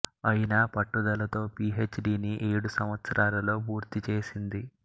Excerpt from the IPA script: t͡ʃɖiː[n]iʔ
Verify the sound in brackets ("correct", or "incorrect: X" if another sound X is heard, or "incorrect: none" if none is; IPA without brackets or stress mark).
correct